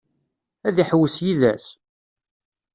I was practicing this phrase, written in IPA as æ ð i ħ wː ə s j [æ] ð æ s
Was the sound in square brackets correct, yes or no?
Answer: no